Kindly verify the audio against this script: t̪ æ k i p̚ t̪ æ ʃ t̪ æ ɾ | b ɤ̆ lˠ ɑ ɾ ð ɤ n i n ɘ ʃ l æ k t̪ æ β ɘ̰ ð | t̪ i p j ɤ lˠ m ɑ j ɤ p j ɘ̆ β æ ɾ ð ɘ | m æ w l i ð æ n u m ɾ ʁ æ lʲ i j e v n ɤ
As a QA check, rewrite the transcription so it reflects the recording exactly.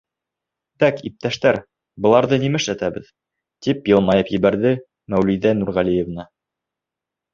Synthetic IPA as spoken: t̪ æ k i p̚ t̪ æ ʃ t̪ æ ɾ | b ɤ̆ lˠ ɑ ɾ ð ɤ n i m ɘ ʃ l æ t̪ æ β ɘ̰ ð | t̪ i p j ɤ lˠ m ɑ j ɤ p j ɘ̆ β æ ɾ ð ɘ | m æ w l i ð æ n u ɾ ʁ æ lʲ i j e v n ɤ